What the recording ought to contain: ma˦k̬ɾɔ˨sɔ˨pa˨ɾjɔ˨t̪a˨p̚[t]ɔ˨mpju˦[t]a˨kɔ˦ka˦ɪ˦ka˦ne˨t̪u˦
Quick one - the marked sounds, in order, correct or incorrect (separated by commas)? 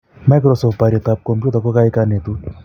incorrect, correct